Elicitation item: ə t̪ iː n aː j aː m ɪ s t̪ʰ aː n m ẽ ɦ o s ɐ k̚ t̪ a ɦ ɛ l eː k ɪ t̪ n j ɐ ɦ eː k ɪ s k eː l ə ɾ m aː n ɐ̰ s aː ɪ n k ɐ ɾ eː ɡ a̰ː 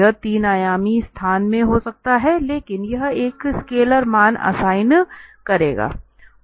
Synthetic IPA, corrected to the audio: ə t̪ iː n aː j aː m i s t̪ʰ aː n m ẽ ɦ o s ɐ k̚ t̪ a ɦ ɛ l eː k ɪ n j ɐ ɦ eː k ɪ s k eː l ə ɾ m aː n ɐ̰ s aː ɪ n k ɐ ɾ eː ɡ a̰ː